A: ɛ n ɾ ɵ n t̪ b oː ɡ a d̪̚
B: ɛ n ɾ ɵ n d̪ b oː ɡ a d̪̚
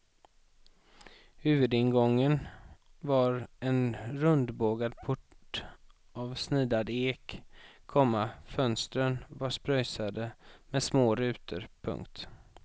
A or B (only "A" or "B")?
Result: B